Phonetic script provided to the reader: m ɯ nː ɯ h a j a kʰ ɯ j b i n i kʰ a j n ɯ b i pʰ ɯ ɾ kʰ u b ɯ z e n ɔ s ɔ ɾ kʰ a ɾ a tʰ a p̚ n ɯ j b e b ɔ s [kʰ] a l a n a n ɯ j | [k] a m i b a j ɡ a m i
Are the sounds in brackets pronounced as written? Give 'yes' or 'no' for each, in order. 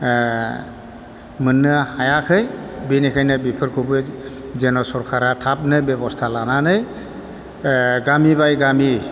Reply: no, no

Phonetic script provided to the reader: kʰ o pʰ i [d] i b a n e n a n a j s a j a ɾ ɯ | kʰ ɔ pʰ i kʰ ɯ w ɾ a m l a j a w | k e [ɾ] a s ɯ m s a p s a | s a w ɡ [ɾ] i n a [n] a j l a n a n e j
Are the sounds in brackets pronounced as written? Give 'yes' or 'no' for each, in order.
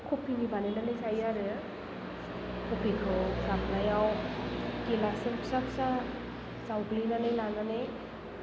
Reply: no, no, no, yes

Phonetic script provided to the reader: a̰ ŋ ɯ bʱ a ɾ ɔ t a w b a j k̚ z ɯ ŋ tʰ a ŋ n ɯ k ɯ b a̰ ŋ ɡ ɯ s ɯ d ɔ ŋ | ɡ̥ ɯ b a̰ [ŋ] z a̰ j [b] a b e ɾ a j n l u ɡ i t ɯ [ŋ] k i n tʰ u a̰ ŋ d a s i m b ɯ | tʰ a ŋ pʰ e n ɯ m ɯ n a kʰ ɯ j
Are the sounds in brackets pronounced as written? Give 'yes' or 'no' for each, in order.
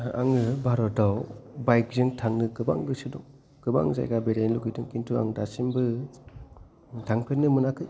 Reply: yes, no, yes

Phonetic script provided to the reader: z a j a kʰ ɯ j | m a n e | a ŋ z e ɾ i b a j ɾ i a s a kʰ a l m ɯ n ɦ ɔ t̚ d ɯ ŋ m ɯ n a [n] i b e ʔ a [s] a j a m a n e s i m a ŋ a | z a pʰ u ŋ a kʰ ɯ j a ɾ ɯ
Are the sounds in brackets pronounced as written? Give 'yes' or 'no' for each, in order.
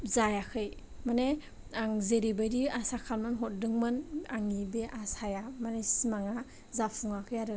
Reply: no, yes

